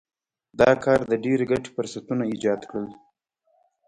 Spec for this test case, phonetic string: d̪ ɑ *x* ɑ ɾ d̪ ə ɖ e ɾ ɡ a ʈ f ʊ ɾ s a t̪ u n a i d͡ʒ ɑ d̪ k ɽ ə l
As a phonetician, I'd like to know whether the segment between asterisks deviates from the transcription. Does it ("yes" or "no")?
yes